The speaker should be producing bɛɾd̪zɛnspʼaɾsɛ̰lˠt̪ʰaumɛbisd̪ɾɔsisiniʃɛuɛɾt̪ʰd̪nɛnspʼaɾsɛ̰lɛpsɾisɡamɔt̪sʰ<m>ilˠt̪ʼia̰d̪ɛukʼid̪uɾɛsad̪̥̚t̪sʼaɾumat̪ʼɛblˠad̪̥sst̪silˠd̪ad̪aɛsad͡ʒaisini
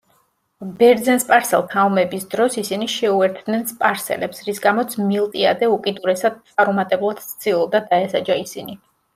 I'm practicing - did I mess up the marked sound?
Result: no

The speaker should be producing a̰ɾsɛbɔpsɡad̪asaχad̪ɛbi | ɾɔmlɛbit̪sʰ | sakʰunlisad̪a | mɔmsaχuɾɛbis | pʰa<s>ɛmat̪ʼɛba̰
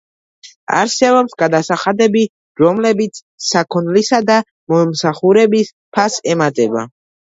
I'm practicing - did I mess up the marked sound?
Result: no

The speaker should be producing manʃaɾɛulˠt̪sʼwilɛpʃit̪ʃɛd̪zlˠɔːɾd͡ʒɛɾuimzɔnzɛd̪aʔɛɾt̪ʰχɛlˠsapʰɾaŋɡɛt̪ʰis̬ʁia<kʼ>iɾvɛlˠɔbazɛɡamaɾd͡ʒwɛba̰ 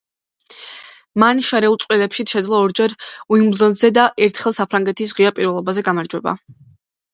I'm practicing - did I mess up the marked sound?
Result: yes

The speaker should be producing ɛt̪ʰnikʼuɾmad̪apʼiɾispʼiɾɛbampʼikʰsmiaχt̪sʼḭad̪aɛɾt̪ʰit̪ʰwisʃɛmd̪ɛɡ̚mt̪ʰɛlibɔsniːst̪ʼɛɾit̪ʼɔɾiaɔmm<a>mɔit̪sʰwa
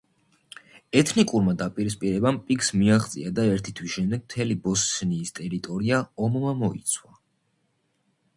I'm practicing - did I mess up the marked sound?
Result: no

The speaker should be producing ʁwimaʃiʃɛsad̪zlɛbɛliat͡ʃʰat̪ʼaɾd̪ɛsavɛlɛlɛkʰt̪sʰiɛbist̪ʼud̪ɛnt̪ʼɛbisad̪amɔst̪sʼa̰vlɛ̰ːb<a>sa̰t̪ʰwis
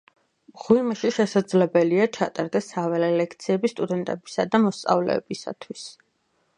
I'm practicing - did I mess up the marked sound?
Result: yes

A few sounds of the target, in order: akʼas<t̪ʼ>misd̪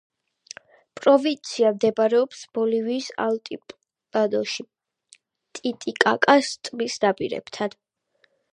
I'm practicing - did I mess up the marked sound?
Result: no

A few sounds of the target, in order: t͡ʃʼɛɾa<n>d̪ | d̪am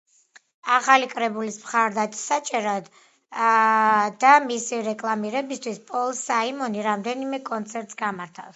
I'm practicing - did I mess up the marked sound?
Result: yes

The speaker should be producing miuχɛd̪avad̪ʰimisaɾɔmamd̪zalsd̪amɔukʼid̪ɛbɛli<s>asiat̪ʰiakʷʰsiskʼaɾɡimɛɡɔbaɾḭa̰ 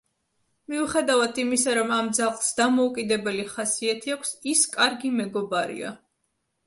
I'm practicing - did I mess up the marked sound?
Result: yes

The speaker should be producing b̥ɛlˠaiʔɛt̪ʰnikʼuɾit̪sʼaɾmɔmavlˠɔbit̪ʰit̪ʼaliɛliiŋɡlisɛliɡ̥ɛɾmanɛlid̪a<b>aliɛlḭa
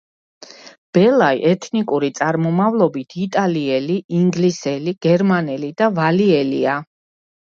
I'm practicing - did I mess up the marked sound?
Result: yes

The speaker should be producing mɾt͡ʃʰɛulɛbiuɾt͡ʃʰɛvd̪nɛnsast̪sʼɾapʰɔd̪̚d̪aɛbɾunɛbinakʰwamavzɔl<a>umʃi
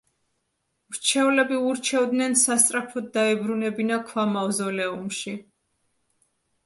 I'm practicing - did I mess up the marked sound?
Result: yes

